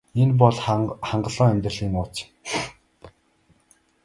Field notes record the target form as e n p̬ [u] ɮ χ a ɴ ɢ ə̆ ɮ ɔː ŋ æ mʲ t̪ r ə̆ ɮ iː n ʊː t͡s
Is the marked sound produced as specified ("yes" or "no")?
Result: no